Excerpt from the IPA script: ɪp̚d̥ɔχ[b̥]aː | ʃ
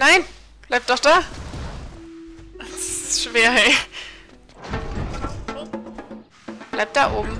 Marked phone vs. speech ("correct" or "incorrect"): incorrect